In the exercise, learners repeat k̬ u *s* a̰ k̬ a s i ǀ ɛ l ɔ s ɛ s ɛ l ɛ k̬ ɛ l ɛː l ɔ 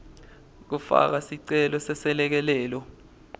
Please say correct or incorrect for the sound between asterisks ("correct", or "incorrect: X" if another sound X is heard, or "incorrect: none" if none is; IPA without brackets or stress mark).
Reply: incorrect: f